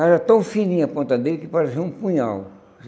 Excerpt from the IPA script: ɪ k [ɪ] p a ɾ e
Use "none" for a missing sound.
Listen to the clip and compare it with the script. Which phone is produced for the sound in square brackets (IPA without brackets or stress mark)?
ɪ